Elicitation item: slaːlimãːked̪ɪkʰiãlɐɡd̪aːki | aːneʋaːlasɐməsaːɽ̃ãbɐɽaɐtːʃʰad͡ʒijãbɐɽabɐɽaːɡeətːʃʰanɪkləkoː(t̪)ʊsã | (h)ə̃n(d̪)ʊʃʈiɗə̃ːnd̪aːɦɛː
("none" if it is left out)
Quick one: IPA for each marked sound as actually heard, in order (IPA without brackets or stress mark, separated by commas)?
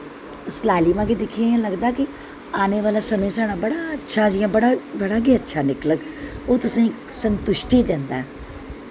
t̪, s, t̪